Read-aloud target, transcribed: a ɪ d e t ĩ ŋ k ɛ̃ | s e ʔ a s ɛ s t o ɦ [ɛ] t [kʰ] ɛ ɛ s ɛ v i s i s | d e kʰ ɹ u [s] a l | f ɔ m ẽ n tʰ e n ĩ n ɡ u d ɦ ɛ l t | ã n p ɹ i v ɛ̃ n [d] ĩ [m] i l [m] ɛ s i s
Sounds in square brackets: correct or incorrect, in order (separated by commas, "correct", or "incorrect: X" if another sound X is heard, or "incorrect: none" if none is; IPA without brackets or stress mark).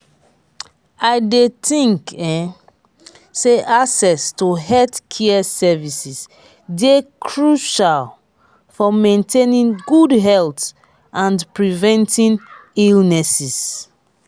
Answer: correct, correct, incorrect: ʃ, incorrect: t, incorrect: n, incorrect: n